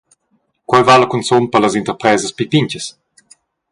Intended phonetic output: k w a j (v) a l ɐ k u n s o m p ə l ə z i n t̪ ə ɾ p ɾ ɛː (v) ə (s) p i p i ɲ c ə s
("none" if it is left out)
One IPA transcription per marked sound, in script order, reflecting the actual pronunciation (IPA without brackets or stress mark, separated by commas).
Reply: v, z, s